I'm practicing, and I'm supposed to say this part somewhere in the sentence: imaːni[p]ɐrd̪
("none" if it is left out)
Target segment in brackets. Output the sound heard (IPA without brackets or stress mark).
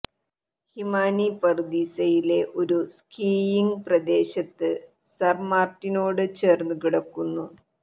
p